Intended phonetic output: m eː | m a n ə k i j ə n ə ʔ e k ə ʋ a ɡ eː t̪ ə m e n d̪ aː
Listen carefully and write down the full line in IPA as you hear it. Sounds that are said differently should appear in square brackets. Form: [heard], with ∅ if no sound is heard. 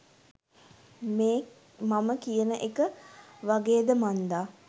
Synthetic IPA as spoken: m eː | m a [m] ə k i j ə n ə ʔ e k ə ʋ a ɡ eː [d̪] ə m [a] n d̪ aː